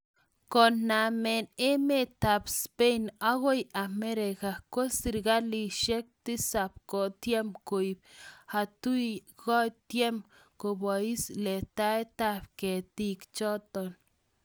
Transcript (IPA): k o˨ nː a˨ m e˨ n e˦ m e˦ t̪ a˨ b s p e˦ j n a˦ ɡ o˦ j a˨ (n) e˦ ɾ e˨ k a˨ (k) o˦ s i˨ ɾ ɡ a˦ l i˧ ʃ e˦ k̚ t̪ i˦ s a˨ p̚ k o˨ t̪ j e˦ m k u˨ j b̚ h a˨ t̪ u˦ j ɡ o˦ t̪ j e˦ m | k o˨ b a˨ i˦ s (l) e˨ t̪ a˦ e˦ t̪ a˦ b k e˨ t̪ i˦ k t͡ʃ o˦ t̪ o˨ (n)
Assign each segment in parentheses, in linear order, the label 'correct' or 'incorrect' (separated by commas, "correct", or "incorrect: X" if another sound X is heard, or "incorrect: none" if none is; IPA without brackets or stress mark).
incorrect: m, correct, correct, correct